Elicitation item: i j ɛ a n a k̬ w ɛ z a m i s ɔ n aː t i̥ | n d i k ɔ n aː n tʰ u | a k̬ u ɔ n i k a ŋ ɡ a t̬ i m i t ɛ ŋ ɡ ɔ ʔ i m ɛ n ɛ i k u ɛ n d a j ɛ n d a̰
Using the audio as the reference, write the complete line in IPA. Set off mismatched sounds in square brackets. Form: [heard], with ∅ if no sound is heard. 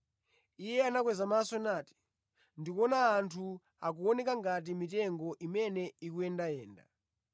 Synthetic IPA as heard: i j ɛ a n a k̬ w ɛ z a m [a] s ɔ n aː t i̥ | n d i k ɔ n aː n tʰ u | a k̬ u ɔ n [ɛ] k a ŋ ɡ a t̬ i m i t ɛ ŋ ɡ ɔ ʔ i m ɛ n ɛ i k u ɛ n d a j [ɛː] n d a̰